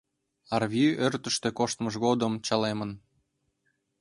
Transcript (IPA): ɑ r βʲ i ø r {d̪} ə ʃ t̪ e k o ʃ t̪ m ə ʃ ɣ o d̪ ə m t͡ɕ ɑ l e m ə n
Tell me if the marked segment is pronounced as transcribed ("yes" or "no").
no